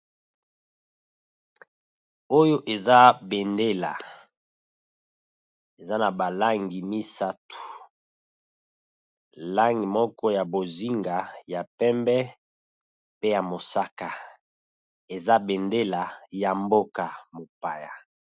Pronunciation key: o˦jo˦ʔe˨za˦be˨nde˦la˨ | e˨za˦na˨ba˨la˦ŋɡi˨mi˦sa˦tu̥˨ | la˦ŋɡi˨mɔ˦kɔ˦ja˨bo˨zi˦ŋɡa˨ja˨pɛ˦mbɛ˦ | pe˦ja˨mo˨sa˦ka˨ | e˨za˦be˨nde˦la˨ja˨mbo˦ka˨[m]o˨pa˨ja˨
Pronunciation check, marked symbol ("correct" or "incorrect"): correct